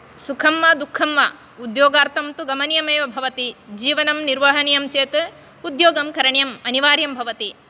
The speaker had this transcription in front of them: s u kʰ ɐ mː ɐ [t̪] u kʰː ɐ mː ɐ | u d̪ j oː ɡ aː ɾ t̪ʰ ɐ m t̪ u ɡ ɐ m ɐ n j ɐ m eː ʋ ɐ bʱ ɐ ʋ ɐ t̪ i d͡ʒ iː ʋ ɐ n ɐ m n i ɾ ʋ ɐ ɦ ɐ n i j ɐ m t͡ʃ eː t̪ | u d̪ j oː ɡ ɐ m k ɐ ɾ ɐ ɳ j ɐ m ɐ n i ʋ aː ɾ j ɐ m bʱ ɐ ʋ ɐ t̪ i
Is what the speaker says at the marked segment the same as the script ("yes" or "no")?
no